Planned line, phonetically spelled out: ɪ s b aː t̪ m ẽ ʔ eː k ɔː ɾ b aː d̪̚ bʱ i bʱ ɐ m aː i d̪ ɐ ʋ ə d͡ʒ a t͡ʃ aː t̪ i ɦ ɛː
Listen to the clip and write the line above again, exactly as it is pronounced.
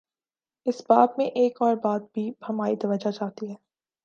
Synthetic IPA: ɪ s b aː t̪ m ẽ ʔ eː k ɔː ɾ b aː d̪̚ bʱ i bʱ ɐ m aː i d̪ ɐ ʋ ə d͡ʒ a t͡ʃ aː t̪ i ɦ ɛː

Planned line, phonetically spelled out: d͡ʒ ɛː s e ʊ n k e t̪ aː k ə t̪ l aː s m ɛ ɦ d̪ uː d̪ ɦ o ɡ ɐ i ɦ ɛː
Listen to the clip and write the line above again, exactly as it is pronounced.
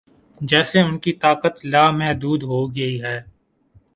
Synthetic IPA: d͡ʒ ɛː s e ʊ n k i t̪ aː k ə t̪ l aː m ɛ ɦ d̪ uː d̪ ɦ o ɡ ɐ i ɦ ɛː

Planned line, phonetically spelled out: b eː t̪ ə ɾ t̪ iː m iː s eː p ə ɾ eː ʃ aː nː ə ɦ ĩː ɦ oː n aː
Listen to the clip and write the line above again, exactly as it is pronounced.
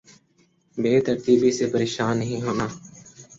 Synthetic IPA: b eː t̪ ə ɾ t̪ iː b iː s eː p ə ɾ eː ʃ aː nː ə ɦ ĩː ɦ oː n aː

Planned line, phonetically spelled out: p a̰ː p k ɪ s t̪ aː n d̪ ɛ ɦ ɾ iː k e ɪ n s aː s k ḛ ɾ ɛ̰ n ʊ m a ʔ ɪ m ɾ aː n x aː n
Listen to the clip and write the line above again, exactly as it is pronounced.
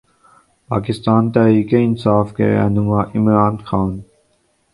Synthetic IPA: p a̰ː k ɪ s t̪ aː n t̪ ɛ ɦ ɾ iː k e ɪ n s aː f k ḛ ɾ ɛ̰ n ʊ m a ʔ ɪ m ɾ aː n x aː n

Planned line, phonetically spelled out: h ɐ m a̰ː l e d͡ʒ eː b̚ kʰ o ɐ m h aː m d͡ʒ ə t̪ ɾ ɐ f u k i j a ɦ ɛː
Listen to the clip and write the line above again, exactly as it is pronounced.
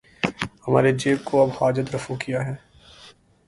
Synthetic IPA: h ɐ m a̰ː ɾ e d͡ʒ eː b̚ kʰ o ɐ b h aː d͡ʒ ə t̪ ɾ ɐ f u k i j a ɦ ɛː

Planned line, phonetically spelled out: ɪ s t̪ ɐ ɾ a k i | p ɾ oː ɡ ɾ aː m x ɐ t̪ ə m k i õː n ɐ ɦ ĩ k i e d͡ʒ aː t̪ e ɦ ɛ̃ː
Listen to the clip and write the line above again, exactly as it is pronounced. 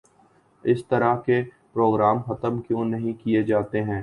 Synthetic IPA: ɪ s t̪ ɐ ɾ a k e | p ɾ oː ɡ ɾ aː m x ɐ t̪ ə m k j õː n ɐ ɦ ĩ k i e d͡ʒ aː t̪ e ɦ ɛ̃ː

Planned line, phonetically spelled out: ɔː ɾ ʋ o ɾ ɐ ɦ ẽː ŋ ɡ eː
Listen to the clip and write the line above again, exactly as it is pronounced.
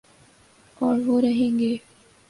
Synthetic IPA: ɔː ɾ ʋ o ɾ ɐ ɦ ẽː ŋ ɡ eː

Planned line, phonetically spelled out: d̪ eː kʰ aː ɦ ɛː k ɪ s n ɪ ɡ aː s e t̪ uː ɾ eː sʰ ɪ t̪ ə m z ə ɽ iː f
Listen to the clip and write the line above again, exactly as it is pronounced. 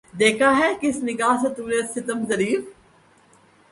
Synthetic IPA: d̪ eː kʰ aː ɦ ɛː k ɪ s n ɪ ɡ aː s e t̪ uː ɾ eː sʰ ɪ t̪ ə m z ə ɾ iː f

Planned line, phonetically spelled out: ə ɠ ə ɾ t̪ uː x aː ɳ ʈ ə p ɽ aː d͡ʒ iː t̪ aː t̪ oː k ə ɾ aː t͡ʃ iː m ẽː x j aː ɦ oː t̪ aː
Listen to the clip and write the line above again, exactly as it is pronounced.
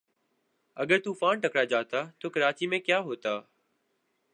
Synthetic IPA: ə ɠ ə ɾ t̪ uː f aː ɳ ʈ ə k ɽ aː d͡ʒ aː t̪ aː t̪ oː k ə ɾ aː t͡ʃ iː m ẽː k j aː ɦ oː t̪ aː

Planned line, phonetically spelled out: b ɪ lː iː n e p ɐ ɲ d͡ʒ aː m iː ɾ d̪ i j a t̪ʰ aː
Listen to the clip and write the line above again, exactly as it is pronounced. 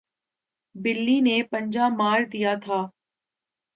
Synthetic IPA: b ɪ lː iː n e p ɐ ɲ d͡ʒ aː m aː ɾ d̪ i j a t̪ʰ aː

